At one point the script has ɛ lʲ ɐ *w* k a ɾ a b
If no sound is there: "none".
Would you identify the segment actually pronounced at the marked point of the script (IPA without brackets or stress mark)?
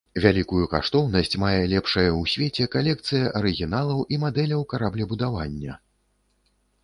w